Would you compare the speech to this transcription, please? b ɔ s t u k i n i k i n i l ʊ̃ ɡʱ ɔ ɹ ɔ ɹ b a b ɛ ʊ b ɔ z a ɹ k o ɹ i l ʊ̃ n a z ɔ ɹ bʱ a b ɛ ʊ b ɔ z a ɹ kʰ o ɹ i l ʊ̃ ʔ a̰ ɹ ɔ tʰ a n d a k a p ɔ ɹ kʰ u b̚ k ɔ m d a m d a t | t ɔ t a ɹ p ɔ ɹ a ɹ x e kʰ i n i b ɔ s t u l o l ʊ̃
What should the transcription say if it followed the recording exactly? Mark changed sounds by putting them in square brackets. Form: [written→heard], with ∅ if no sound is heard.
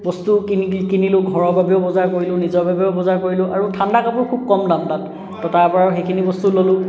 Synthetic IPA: b ɔ s t u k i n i k i n i l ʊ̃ ɡʱ ɔ ɹ ɔ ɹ b a b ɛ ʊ b ɔ z a ɹ k o ɹ i l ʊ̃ n [a→i] z ɔ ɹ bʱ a b ɛ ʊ b ɔ z a ɹ [kʰ→k] o ɹ i l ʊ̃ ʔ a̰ ɹ [ɔ→u] tʰ a n d a k a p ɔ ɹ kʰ u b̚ k ɔ m d a m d a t | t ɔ t a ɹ p ɔ ɹ a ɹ x e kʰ i n i b ɔ s t u l o l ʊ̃